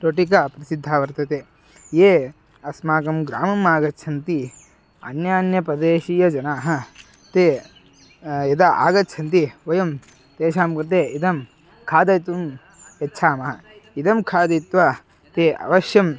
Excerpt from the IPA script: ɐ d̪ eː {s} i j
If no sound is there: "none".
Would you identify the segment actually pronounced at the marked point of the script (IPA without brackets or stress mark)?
ʃ